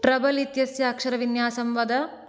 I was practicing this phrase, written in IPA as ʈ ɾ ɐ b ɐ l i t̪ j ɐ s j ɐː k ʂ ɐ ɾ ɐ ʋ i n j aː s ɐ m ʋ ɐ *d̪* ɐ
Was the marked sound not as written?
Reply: no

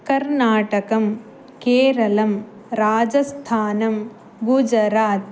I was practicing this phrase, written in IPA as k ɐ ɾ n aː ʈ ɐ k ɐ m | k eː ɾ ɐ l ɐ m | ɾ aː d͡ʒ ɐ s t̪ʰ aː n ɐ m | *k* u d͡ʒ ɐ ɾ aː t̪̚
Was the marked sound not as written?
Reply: yes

